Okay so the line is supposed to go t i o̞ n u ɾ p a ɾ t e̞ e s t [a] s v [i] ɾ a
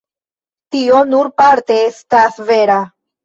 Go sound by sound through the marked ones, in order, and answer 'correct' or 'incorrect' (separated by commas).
correct, incorrect